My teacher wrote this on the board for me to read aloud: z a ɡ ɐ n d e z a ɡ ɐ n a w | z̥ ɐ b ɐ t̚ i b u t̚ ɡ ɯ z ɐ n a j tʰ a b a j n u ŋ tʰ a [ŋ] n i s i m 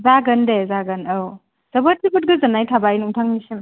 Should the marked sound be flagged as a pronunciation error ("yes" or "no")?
no